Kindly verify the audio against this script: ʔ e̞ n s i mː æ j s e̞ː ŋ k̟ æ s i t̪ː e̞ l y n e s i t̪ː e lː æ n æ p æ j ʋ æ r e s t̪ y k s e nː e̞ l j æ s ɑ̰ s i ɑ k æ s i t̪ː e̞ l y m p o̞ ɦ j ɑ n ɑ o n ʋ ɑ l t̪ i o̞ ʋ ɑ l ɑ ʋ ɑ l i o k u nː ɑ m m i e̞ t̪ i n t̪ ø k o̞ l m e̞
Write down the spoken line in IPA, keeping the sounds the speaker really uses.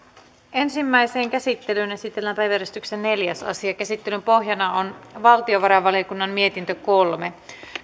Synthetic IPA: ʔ e̞ n s i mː æ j s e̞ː ŋ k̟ æ s i t̪ː e̞ l y n e s i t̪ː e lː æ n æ p æ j ʋ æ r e s t̪ y k s e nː e̞ l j æ s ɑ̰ s i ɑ k æ s i t̪ː e̞ l y m p o̞ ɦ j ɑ n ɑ o n ʋ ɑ l t̪ i o̞ ʋ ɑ ɾ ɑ ʋ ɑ l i o k u nː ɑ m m i e̞ t̪ i n t̪ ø k o̞ l m e̞